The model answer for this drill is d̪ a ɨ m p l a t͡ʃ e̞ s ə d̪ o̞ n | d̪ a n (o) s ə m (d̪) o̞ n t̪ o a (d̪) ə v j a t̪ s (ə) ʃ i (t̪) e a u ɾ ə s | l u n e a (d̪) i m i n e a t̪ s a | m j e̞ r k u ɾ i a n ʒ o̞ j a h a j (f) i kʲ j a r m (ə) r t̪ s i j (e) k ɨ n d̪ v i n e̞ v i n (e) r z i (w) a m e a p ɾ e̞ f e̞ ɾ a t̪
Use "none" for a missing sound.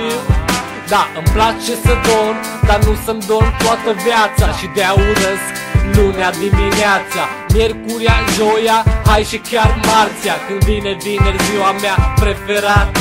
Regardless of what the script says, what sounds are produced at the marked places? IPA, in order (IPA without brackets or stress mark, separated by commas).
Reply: u, d̪, t̪, a, d̪, d̪, ʃ, a, a, e, w